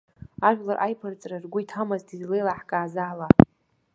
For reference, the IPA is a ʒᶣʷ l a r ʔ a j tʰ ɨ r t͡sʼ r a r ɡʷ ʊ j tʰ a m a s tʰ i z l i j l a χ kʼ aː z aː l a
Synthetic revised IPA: a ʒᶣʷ l a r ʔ a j pʰ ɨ r t͡sʼ r a r ɡʷ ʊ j tʰ a m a z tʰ i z l e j l a ħ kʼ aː z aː l a

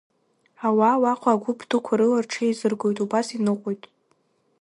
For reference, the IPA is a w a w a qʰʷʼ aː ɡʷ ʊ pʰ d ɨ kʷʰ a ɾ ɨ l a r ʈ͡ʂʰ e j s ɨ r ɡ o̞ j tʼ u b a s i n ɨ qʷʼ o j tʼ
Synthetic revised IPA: a w a w a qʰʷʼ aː ɡʷ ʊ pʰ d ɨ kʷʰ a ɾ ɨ l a r ʈ͡ʂʰ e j z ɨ r ɡ o̞ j tʼ u b a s i n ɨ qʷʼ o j tʼ

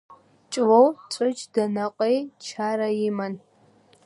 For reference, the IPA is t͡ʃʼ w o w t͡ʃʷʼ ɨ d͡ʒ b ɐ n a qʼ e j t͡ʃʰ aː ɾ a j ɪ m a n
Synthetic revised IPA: t͡ʃʼ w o w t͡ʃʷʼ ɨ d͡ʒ d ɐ n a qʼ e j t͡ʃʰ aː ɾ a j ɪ m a n

